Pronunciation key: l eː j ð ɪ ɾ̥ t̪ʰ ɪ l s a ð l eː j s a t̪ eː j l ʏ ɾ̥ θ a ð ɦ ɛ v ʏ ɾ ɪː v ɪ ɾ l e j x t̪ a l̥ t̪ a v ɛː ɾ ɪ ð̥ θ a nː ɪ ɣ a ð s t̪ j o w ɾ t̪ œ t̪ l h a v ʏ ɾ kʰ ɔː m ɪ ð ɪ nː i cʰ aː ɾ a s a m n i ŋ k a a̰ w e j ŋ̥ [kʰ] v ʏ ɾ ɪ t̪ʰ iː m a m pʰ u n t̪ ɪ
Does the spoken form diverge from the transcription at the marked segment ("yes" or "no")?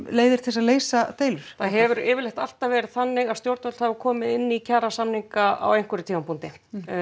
yes